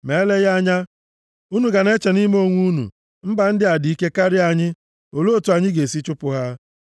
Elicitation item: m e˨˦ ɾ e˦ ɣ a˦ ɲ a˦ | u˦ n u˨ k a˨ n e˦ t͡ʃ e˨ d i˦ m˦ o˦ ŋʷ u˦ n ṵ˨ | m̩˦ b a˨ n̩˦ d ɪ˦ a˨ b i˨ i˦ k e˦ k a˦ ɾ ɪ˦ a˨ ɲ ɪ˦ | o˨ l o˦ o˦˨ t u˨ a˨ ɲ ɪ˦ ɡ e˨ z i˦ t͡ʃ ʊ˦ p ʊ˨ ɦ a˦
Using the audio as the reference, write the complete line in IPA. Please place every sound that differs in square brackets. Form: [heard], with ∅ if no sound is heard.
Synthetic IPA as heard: m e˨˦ [l] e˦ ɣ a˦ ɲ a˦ | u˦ n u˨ [ɡ] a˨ n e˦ t͡ʃ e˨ [n] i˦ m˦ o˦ ŋʷ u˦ n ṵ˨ | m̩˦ b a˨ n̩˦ d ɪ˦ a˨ [d] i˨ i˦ k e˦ k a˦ ɾ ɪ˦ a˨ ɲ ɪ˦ | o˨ l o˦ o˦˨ t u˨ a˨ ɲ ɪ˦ ɡ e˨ [s] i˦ t͡ʃ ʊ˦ p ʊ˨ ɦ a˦